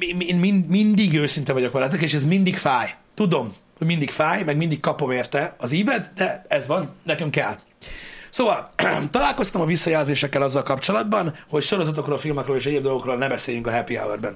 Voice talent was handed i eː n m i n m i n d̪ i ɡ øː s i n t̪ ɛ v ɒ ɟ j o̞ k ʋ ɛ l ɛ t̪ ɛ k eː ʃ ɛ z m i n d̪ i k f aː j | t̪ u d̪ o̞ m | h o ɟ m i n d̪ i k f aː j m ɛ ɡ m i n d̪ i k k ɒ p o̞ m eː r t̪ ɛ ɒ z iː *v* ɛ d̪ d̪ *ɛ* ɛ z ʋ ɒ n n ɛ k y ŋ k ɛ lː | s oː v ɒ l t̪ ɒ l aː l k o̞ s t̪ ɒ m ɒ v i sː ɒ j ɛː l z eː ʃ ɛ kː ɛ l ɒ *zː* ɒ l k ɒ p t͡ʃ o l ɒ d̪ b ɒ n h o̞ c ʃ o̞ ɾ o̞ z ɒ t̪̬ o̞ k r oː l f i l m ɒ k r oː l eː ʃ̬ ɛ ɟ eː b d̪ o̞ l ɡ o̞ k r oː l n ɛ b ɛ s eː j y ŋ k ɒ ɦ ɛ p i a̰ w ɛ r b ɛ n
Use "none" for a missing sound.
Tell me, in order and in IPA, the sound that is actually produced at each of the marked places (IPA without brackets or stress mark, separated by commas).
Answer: v, ɛ, zː